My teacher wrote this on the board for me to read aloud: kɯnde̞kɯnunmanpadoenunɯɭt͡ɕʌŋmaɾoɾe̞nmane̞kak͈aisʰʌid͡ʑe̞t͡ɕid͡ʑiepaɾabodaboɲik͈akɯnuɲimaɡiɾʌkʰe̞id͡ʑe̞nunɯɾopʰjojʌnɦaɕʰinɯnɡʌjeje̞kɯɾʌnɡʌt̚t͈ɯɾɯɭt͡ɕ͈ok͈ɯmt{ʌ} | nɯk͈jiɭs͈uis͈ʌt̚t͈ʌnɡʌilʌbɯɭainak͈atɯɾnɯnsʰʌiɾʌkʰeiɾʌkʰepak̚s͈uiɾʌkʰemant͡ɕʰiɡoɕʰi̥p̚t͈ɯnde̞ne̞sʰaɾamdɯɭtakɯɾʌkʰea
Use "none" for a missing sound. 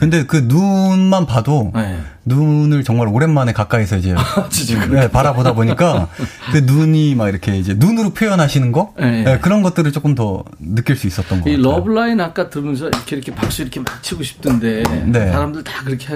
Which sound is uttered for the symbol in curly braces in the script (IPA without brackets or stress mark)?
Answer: ʌ